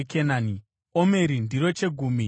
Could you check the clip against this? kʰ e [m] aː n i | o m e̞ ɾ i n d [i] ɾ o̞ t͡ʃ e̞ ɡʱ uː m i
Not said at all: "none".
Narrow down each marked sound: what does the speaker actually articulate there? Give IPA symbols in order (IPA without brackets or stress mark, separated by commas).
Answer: n, i